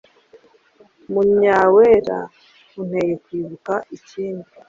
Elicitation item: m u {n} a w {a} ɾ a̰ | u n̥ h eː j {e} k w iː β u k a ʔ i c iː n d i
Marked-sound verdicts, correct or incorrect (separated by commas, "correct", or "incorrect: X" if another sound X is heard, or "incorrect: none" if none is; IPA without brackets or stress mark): incorrect: ɲ, incorrect: e, correct